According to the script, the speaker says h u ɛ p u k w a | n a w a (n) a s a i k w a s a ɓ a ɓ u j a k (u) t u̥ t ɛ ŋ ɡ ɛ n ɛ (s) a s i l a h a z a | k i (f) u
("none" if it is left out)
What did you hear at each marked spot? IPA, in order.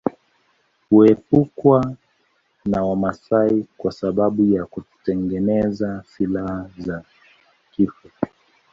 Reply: m, u, z, f

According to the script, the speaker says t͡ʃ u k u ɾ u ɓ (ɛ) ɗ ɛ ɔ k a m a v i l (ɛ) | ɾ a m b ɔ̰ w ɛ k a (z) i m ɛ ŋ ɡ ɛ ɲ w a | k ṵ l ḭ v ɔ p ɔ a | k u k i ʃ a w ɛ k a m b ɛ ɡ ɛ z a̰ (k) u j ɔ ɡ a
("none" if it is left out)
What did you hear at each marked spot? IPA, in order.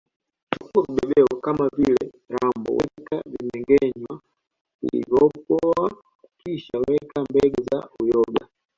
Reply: ɛ, ɛ, v, none

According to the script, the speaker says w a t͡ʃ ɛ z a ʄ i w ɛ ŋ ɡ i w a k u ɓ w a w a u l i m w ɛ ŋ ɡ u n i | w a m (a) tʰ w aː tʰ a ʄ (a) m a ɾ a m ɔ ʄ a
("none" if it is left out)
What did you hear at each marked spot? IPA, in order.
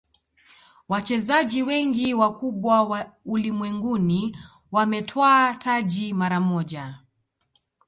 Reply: ɛ, i

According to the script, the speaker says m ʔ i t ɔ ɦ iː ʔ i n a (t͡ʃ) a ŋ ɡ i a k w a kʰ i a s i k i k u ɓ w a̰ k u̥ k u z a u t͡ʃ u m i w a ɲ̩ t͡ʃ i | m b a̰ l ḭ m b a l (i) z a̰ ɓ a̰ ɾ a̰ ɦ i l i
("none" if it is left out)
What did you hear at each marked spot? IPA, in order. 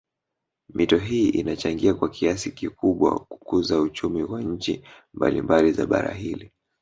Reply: t͡ʃ, i

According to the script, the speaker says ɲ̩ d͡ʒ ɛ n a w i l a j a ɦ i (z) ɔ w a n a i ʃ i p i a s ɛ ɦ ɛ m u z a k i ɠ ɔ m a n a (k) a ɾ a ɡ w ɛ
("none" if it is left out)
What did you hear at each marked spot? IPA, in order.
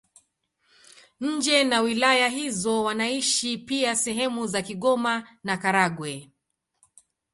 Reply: z, k

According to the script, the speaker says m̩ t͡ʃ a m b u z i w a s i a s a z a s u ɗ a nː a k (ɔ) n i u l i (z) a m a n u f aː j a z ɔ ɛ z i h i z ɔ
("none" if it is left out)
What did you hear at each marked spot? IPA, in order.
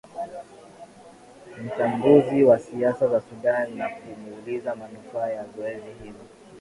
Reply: u, z

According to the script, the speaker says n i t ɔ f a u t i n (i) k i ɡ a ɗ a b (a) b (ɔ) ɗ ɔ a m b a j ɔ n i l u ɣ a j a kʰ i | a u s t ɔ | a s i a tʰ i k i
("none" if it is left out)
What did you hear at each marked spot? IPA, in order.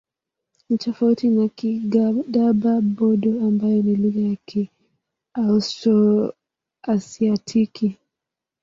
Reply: a, a, ɔ

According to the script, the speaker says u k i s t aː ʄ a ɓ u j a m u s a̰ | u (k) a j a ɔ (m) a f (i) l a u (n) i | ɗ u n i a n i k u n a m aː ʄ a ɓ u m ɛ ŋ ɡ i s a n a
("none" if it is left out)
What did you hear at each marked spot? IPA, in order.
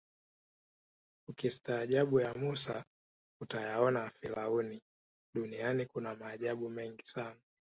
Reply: t, n, i, n

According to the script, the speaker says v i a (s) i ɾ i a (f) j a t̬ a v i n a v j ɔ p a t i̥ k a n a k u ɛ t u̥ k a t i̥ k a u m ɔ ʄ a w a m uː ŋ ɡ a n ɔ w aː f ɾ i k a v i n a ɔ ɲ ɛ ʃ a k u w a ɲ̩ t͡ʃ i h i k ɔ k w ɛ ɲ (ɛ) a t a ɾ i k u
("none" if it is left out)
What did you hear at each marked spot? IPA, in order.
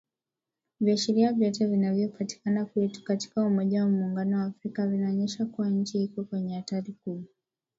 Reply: ʃ, v, ɛ

